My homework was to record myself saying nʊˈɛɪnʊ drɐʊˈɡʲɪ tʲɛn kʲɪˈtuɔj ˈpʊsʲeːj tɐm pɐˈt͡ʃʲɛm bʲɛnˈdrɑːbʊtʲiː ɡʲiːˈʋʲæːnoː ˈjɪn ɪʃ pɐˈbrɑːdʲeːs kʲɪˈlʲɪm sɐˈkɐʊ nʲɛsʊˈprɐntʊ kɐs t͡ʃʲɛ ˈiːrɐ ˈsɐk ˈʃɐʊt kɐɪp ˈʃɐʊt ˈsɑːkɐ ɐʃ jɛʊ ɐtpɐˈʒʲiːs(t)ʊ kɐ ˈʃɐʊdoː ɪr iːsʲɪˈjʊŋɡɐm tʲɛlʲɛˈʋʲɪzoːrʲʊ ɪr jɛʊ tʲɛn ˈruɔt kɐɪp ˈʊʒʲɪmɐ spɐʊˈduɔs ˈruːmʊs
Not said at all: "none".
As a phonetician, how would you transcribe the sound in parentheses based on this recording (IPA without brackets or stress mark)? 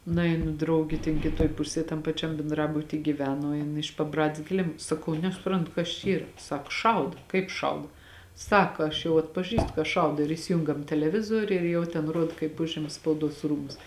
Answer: t